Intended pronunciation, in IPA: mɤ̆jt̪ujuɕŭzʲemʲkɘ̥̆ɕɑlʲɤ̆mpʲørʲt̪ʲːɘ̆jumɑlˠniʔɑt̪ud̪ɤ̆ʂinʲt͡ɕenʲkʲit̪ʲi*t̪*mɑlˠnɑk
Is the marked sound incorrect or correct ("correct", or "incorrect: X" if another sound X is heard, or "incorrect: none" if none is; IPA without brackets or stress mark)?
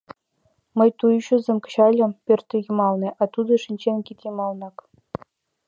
incorrect: none